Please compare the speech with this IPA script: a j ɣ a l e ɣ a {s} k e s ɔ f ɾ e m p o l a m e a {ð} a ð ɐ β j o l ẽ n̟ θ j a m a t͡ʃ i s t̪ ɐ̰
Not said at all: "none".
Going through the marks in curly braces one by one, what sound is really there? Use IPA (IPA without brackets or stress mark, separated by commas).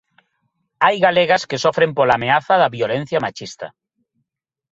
s, θ